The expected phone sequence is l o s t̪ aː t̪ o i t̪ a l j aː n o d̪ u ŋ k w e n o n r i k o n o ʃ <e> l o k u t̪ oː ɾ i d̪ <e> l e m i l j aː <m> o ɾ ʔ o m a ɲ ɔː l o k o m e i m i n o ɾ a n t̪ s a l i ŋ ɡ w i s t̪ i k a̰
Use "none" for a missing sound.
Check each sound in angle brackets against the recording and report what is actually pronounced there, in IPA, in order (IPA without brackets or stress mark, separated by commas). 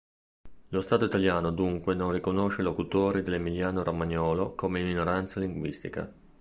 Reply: e, e, n